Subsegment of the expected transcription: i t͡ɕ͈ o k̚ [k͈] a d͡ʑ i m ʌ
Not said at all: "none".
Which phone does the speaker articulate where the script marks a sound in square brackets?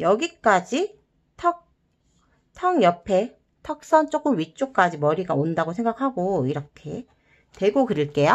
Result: k͈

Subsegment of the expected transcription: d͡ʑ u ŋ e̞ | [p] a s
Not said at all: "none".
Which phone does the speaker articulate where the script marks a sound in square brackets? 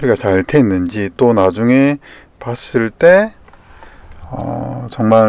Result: p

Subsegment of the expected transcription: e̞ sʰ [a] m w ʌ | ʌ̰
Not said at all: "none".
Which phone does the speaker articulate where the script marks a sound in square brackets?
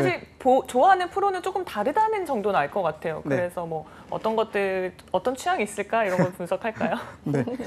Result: ʌ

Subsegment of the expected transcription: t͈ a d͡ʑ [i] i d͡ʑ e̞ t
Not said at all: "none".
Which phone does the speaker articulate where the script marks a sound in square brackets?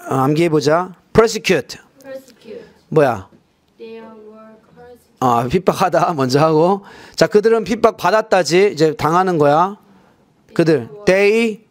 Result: i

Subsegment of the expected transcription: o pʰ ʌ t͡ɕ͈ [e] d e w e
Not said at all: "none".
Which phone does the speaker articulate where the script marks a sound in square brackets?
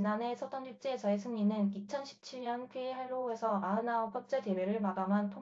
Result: e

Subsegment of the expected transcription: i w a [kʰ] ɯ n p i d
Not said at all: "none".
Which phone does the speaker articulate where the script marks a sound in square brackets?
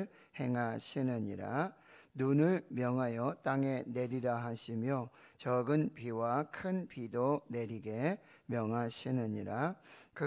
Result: kʰ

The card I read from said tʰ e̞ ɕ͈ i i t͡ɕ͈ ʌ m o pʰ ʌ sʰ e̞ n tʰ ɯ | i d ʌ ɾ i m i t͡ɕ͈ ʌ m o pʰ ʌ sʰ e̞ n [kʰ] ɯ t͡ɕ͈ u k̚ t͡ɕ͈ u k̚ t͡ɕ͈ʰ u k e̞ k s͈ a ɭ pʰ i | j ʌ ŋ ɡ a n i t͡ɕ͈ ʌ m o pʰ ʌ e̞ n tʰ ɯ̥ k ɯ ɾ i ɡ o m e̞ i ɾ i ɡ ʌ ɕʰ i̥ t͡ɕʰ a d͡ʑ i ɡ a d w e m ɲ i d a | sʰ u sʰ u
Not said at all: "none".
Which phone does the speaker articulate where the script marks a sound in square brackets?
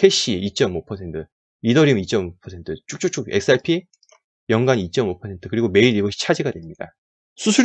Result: tʰ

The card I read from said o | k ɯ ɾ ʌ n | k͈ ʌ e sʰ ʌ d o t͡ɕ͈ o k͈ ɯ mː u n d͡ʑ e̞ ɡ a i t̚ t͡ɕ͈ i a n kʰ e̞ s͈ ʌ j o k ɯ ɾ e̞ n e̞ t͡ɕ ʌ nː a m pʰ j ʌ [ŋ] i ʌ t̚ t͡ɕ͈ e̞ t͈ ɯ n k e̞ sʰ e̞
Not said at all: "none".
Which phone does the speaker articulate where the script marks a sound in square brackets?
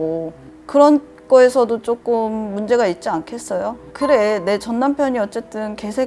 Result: ɲ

